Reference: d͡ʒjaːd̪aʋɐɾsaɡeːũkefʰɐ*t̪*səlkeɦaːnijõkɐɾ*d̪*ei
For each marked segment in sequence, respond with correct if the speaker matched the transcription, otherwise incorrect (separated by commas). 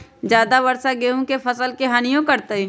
incorrect, incorrect